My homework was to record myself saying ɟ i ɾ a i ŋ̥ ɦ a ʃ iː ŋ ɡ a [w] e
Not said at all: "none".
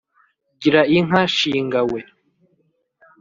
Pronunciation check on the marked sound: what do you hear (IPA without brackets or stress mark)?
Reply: w